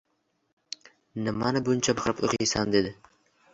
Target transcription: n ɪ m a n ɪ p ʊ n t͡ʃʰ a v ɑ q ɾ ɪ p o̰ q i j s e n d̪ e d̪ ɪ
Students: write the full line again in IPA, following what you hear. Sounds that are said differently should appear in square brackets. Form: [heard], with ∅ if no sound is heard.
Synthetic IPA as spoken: n ɪ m a n ɪ [b] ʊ n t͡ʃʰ a [b] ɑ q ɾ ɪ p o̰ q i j s [a] n d̪ e d̪ ɪ